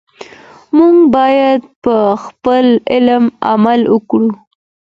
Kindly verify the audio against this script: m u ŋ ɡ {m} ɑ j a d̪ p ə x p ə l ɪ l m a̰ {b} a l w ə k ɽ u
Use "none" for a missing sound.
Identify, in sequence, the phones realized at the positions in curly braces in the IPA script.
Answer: b, m

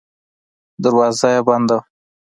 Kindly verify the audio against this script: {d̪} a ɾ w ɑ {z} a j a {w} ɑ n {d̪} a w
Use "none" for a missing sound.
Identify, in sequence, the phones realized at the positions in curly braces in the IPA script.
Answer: d̪, z, b, d̪

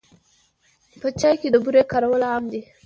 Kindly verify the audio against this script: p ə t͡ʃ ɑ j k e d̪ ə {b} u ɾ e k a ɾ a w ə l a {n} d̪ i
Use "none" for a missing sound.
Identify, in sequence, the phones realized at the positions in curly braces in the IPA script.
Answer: b, m

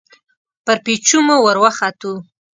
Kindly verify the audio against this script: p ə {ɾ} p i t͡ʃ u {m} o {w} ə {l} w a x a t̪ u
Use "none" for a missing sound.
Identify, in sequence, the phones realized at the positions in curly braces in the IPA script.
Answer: ɾ, m, w, ɾ

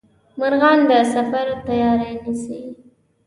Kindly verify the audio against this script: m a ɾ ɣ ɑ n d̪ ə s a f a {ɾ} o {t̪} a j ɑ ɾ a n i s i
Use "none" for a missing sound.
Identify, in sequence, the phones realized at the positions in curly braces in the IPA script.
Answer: ɾ, t̪

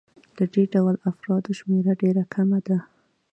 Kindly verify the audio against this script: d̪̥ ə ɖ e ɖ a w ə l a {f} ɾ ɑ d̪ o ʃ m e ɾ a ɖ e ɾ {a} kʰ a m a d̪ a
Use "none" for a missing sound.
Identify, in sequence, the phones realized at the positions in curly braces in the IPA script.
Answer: f, a

